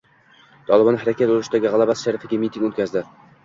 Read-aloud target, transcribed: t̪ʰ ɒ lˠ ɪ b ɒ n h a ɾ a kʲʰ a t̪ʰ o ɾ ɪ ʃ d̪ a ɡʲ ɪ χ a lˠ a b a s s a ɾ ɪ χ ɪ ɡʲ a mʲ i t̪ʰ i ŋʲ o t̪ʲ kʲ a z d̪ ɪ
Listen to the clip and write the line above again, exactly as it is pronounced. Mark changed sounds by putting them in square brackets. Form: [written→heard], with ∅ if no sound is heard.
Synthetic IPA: t̪ʰ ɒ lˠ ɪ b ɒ n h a ɾ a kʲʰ a [t̪ʰ→t̪] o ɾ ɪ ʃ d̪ a ɡʲ ɪ [χ→ʁ] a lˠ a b a s [s→ʃ] a ɾ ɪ [χ→f] ɪ ɡʲ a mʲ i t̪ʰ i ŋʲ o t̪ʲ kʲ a z d̪ ɪ